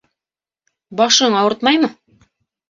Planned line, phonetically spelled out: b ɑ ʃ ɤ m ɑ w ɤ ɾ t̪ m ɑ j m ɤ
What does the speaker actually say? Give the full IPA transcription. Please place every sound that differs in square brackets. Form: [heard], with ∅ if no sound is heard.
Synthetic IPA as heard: b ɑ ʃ ɤ [ɴ] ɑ w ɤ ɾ t̪ m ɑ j m ɤ